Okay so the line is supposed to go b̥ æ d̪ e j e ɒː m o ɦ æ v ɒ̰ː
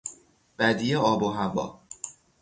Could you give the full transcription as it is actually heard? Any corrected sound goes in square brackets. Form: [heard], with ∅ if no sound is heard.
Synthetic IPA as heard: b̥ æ d̪ [i] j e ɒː [b] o ɦ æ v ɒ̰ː